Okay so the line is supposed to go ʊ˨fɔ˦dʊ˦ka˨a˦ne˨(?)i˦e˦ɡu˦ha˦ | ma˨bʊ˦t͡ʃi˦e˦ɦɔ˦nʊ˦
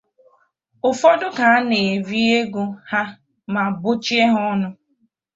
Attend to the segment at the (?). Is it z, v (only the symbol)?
v